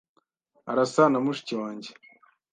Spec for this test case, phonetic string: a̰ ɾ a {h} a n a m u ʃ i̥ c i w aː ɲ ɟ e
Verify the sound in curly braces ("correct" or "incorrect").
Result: incorrect